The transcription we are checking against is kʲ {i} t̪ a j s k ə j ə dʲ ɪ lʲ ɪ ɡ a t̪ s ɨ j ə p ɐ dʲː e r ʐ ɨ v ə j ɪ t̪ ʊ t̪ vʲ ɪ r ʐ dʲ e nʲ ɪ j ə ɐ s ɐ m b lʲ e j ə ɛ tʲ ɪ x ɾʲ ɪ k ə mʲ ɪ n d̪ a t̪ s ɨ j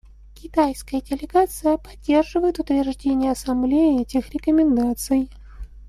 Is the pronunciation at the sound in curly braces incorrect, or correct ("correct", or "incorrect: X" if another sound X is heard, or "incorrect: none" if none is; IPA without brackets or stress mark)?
incorrect: ɪ